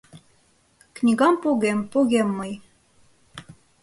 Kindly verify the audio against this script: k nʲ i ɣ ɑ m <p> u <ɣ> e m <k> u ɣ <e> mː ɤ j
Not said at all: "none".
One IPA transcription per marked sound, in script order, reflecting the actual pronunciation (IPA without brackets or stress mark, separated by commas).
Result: p, ɣ, p, e